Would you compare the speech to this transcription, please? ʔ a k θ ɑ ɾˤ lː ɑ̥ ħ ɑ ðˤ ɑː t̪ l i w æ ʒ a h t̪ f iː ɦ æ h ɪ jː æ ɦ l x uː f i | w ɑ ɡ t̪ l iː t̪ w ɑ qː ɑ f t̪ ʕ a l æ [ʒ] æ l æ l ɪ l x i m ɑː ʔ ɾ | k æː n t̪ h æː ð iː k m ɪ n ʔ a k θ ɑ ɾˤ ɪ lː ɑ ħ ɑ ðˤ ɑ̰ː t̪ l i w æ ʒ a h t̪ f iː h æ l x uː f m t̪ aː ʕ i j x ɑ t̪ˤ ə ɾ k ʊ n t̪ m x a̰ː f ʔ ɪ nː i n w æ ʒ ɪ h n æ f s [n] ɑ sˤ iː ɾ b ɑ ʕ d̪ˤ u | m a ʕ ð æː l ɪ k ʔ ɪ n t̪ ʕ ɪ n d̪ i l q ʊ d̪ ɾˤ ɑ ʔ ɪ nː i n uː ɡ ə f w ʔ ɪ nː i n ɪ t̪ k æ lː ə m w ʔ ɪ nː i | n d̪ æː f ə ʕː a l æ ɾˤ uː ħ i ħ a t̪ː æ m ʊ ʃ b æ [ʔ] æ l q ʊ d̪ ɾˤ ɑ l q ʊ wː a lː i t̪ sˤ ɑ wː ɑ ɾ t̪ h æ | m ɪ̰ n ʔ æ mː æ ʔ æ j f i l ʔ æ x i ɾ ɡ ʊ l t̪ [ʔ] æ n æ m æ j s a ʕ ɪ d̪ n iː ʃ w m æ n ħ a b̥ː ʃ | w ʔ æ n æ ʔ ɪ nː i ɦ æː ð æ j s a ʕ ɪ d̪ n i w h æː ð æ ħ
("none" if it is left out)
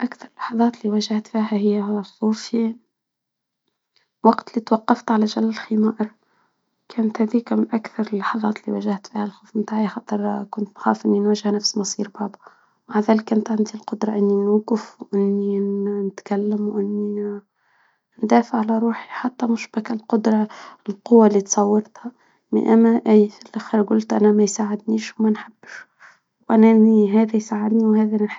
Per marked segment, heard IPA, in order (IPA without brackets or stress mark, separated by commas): ʒ, m, k, ʔ